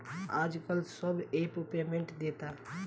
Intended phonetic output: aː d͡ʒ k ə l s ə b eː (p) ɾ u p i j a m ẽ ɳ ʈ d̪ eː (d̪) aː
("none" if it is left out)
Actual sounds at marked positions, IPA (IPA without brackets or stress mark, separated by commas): p, t̪